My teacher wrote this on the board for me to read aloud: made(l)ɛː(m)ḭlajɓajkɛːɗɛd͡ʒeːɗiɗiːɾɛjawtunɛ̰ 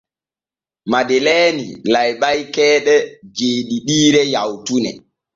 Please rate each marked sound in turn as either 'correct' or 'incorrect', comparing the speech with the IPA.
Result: correct, incorrect: n

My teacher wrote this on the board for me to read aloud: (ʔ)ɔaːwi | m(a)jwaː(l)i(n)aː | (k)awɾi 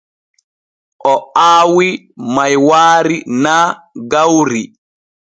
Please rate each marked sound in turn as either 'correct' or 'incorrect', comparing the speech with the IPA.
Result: correct, correct, incorrect: ɾ, correct, incorrect: ɡ

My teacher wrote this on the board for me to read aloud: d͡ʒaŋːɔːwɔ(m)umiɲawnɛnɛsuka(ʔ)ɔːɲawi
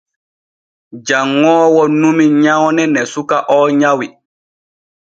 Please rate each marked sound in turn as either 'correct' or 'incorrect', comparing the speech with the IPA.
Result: incorrect: n, correct

